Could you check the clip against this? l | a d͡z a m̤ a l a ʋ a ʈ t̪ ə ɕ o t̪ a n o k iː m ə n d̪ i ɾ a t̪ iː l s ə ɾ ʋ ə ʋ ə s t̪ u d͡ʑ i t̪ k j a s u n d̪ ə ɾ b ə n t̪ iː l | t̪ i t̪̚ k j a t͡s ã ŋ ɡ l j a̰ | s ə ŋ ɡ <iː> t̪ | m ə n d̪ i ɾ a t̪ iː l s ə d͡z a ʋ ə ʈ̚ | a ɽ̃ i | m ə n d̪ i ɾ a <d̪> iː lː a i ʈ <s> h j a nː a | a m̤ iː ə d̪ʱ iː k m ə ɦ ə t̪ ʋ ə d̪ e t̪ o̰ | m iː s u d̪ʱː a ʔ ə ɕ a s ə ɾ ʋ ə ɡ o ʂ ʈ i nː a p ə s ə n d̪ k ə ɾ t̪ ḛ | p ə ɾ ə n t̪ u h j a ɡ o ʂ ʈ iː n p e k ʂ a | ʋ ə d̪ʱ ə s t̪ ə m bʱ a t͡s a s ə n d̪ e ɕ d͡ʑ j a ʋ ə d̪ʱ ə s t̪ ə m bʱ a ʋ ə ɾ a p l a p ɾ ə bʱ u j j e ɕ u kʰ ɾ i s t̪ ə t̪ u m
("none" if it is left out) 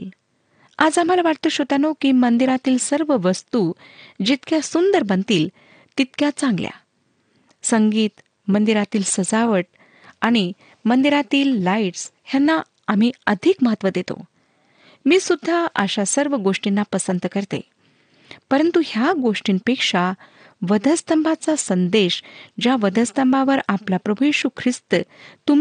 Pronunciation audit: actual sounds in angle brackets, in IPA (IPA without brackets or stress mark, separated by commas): iː, t̪, s